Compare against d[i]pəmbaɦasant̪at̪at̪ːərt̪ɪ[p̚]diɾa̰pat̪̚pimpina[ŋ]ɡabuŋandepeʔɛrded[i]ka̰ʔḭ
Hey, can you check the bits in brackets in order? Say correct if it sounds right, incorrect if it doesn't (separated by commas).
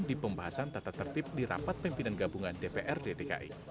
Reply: correct, correct, incorrect, incorrect